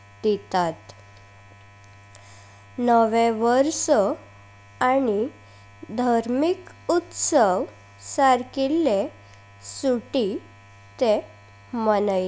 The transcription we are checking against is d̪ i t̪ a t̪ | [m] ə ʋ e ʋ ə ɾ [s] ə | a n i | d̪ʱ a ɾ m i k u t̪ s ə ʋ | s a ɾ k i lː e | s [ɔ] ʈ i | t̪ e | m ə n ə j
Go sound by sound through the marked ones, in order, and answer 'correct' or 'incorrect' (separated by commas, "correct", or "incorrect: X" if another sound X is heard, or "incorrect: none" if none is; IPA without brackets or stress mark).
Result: incorrect: n, correct, incorrect: u